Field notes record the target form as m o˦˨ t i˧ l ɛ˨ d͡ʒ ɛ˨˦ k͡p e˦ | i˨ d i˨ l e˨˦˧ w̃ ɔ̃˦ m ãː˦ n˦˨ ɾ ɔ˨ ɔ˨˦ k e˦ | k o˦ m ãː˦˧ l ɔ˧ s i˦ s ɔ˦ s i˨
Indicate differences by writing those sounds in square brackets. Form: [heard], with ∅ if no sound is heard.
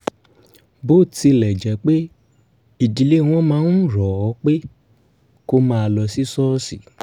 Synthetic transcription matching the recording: [b] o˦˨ t i˧ l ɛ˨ d͡ʒ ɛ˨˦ k͡p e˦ | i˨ d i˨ l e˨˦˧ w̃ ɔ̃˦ m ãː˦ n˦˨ ɾ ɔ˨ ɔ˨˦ [k͡p] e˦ | k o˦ m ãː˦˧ l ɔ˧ s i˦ s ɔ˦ s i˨